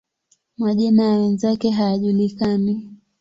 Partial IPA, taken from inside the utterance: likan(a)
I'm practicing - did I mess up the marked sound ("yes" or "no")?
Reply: yes